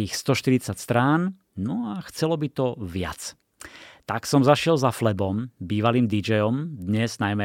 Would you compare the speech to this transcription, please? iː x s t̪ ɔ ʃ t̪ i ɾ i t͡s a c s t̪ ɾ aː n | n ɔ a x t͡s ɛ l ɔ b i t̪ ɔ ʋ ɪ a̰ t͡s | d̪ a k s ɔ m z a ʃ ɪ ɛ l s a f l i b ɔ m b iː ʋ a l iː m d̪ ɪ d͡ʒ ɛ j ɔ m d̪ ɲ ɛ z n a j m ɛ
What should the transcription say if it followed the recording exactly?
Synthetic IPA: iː x s t̪ ɔ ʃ t̪ i ɾ i t͡s a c s t̪ ɾ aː n | n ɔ a x t͡s ɛ l ɔ b i t̪ ɔ ʋ ɪ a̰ t͡s | t̪ a k s ɔ m z a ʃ ɪ ɛ l z a f l ɛ b ɔ m b iː ʋ a l iː m d̪ i d͡ʒ ɛ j ɔ m d̪ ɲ ɛ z n a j m ɛ